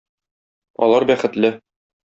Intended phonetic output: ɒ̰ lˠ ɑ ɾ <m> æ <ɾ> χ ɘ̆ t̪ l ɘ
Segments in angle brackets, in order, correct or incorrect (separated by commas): incorrect, incorrect